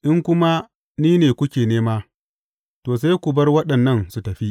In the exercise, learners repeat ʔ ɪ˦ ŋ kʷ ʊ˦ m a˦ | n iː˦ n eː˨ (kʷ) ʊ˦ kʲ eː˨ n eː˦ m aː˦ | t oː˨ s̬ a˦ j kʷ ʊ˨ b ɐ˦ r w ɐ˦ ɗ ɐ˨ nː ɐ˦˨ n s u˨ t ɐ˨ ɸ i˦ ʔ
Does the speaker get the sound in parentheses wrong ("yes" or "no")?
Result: no